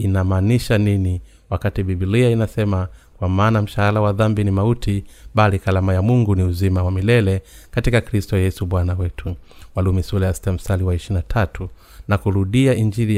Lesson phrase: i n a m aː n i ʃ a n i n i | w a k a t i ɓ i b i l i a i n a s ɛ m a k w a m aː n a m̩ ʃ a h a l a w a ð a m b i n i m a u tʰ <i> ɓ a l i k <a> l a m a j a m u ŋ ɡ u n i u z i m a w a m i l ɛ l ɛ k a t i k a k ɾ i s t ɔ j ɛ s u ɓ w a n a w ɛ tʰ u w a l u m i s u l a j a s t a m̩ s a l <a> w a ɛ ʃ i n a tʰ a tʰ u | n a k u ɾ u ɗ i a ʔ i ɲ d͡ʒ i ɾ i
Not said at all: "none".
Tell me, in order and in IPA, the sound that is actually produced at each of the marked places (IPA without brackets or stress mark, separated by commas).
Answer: i, a, i